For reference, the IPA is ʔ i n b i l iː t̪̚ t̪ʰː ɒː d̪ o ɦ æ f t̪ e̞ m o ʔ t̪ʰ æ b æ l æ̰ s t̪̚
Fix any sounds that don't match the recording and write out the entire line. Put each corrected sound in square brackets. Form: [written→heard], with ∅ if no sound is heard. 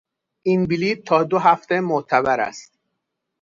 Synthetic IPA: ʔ i n b i l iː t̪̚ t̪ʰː ɒː d̪ o ɦ æ f t̪ e̞ m o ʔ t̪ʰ æ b æ [l→ɾ] æ̰ s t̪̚